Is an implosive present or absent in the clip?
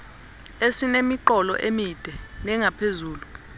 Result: absent